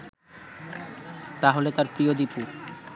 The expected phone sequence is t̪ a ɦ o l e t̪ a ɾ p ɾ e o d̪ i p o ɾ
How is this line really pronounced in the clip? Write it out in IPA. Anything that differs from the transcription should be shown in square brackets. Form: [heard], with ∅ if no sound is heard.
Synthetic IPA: t̪ a ɦ o l e t̪ a ɾ p ɾ [i] o d̪ i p [u] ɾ